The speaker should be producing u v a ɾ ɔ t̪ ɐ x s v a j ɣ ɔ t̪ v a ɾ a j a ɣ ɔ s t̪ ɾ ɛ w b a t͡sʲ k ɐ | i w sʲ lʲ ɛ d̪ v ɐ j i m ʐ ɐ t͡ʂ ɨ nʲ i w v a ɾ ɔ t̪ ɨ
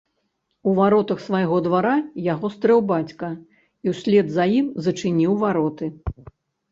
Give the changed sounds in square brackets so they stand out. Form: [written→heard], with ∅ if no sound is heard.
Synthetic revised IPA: u v a ɾ ɔ t̪ ɐ x s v a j ɣ ɔ [t̪→d̪] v a ɾ a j a ɣ ɔ s t̪ ɾ ɛ w b a t͡sʲ k ɐ | i w sʲ lʲ ɛ d̪ [v→z] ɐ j i m [ʐ→z] ɐ t͡ʂ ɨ nʲ i w v a ɾ ɔ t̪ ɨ